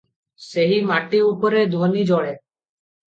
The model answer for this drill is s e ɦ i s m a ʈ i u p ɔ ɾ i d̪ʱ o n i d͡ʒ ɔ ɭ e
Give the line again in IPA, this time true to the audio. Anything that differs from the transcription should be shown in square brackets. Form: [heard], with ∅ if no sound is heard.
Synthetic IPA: s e ɦ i [∅] m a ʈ i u p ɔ ɾ [e] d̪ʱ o n i d͡ʒ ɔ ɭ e